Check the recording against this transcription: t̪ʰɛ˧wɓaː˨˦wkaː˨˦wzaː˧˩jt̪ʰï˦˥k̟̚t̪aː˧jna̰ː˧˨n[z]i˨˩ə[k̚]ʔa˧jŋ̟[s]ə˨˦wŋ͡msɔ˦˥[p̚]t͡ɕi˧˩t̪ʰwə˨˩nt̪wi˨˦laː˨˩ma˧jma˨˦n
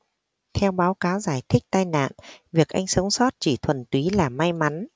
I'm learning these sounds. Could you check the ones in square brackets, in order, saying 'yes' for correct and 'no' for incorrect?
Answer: no, yes, yes, no

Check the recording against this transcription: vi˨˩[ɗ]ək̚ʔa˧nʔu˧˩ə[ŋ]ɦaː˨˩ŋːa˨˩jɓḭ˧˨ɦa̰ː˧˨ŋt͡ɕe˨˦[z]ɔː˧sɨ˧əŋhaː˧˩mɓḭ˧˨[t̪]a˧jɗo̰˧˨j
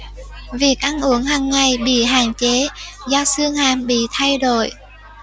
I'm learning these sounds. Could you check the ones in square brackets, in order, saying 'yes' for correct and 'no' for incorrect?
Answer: no, yes, yes, no

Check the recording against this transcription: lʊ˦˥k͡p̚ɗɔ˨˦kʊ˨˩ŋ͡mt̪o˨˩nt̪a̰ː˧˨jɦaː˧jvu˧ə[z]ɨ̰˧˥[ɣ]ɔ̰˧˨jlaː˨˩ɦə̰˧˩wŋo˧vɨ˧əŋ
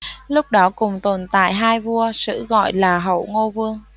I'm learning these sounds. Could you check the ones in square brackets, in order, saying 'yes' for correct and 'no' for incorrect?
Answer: no, yes

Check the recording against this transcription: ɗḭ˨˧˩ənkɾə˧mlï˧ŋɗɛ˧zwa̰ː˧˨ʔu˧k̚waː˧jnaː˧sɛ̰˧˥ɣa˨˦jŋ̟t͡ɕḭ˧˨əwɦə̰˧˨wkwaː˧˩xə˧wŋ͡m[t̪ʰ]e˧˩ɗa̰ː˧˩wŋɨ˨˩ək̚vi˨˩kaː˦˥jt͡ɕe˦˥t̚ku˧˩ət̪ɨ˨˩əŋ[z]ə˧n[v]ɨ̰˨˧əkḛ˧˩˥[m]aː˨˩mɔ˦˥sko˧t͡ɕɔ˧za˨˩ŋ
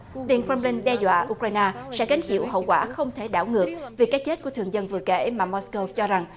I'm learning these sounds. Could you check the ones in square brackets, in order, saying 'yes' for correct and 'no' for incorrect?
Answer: yes, yes, yes, yes

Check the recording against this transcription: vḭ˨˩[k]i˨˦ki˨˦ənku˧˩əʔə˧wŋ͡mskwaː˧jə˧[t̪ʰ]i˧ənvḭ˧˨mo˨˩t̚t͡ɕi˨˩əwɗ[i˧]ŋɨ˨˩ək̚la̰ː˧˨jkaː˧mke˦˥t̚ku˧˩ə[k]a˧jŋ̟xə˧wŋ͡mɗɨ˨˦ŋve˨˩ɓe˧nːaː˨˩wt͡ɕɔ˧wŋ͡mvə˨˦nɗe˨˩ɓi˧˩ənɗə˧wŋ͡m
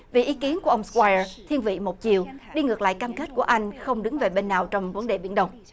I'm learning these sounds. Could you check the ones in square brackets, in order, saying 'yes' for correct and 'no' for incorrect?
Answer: no, yes, yes, no

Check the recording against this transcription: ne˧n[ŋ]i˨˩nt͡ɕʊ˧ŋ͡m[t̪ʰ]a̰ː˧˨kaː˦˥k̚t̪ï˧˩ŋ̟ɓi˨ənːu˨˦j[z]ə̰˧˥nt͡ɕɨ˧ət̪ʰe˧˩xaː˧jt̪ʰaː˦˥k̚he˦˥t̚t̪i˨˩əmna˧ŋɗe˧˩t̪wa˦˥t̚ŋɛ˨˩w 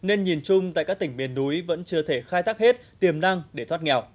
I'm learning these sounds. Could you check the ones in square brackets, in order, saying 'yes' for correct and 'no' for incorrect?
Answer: no, no, no

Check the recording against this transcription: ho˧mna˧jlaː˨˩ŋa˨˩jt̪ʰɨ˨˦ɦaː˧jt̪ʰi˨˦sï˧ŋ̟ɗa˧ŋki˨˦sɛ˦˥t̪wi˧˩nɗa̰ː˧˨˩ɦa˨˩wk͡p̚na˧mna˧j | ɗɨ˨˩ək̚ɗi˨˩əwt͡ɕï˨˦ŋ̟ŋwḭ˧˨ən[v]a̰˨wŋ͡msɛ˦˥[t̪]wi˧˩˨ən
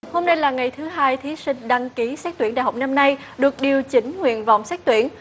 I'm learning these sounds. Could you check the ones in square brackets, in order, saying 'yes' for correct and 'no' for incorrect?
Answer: yes, yes

